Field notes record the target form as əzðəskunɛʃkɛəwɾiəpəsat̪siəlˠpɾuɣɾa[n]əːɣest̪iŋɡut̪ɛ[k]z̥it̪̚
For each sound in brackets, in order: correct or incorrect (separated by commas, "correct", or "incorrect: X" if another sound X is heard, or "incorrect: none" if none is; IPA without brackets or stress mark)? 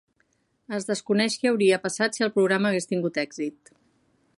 incorrect: m, incorrect: ɡ